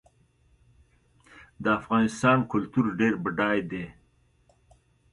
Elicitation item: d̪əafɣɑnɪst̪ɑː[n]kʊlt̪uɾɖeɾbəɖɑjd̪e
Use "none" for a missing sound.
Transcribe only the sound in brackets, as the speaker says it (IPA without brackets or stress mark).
n